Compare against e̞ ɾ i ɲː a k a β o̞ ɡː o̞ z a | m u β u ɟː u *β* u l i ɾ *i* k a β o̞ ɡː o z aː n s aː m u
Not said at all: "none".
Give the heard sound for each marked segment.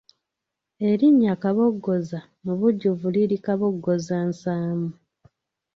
v, i

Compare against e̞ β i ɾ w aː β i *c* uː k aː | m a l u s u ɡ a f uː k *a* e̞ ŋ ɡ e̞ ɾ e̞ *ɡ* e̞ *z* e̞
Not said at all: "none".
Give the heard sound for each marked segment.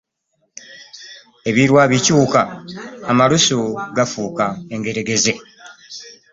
c, a, ɡ, z

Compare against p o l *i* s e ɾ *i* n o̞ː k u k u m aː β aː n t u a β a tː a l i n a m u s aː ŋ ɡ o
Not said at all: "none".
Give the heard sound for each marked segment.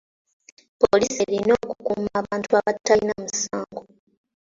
i, i

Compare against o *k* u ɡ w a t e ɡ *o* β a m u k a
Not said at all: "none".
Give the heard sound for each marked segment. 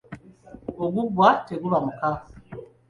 ɡ, u

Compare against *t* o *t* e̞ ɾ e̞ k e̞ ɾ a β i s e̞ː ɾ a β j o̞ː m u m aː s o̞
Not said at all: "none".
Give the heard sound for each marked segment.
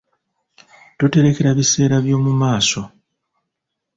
t, t

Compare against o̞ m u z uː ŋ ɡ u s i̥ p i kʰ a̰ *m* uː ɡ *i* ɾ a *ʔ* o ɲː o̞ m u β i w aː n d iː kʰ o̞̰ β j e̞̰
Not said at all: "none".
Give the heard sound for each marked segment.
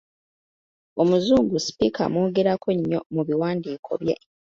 m, e, k

